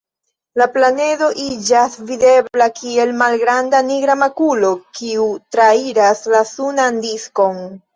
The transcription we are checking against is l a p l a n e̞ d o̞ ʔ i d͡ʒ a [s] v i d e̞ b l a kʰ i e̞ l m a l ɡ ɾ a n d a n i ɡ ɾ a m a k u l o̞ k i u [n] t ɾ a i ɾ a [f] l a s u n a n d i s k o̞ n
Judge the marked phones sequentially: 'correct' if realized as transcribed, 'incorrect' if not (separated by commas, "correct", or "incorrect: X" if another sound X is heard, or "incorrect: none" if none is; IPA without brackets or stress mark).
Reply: correct, incorrect: none, incorrect: s